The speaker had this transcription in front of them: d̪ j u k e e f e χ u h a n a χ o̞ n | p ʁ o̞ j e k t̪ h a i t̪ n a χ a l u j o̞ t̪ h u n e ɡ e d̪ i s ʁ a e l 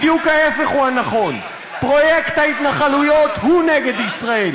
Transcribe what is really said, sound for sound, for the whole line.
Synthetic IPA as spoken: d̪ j u k a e f e χ u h a n a χ o̞ n | p ʁ o̞ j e k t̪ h a i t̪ n a χ a l u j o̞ t̪ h u n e ɡ e d̪ i s ʁ a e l